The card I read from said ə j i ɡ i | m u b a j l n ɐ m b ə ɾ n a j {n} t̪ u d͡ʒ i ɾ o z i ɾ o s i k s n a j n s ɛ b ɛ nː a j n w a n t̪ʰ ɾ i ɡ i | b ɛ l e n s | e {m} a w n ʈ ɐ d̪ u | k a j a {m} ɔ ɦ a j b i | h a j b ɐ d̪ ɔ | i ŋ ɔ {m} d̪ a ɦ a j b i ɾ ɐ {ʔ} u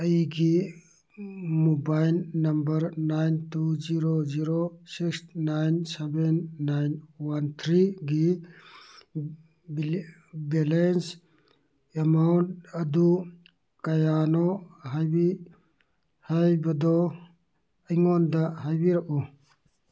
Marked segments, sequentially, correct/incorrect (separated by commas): correct, correct, incorrect, incorrect, correct